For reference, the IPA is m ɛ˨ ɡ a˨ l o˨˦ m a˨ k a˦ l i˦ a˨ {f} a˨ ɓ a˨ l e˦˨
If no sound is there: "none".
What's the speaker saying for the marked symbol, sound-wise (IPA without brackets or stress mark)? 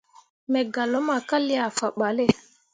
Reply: f